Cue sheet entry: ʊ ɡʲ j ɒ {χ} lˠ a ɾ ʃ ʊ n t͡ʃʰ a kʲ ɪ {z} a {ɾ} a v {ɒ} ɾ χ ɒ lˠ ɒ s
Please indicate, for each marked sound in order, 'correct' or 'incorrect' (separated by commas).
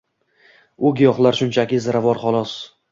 correct, correct, correct, correct